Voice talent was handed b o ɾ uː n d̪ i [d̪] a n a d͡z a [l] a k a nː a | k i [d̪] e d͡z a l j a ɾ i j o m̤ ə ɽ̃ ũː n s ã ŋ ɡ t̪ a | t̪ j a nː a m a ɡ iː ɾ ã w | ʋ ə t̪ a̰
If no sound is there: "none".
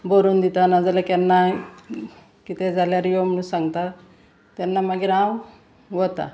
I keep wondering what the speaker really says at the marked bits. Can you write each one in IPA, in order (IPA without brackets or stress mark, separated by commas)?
t̪, l, t̪